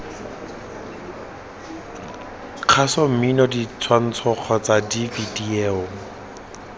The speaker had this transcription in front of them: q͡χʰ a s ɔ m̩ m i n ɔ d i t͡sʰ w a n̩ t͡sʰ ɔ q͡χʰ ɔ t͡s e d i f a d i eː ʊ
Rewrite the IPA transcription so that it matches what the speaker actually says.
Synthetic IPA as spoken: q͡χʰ a s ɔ m̩ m i n ɔ d i t͡sʰ w a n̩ t͡sʰ ɔ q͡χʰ ɔ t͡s a d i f i d i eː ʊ